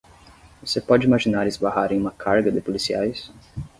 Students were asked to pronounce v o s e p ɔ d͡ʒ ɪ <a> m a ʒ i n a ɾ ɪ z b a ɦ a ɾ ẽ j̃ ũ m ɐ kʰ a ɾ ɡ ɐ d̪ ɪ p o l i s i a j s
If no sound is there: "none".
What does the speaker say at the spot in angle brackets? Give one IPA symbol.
i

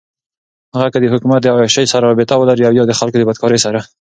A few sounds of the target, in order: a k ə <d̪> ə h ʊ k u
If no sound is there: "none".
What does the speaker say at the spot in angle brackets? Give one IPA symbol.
d̪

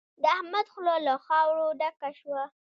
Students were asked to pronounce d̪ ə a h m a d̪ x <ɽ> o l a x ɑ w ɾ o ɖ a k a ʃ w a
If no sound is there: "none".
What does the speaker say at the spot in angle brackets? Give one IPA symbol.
l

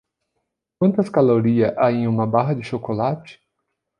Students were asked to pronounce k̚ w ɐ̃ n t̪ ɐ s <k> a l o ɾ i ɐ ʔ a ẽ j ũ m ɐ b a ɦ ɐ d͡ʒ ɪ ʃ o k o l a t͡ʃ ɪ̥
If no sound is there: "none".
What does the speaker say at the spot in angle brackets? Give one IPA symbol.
k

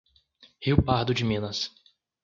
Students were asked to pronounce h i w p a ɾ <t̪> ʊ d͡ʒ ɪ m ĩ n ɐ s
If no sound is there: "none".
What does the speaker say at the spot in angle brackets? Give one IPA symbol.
d̪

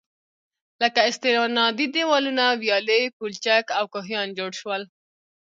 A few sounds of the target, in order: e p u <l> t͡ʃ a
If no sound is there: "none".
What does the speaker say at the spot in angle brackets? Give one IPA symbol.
l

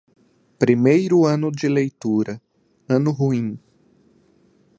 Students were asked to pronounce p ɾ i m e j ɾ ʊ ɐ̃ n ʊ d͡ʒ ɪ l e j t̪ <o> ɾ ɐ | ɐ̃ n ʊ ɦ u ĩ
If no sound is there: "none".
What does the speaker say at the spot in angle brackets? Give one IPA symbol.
u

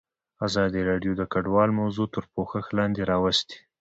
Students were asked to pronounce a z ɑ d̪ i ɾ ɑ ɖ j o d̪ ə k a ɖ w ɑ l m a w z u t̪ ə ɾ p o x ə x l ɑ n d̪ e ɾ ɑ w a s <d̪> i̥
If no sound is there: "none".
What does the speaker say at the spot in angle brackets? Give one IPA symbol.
t̪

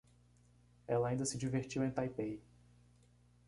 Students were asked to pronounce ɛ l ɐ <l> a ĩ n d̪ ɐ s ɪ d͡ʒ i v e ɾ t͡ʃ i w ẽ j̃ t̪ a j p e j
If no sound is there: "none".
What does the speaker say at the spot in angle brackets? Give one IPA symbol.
none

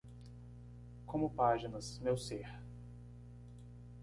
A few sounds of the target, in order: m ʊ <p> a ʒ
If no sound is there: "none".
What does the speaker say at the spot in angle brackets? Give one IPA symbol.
p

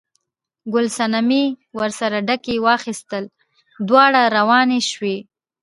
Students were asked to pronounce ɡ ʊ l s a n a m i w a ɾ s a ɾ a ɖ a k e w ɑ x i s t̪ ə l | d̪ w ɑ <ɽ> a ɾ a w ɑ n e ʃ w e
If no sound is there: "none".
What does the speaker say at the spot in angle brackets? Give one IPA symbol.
ɽ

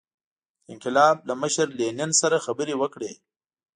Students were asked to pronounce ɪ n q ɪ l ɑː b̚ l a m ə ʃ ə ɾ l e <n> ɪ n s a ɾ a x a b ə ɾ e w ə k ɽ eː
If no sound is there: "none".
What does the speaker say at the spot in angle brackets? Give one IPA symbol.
n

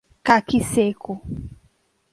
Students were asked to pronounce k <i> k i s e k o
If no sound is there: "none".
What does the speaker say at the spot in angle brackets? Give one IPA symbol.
a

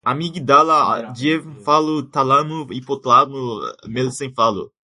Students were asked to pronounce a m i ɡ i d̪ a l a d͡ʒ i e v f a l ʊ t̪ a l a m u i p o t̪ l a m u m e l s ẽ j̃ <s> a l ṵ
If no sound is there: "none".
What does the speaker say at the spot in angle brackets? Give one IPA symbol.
f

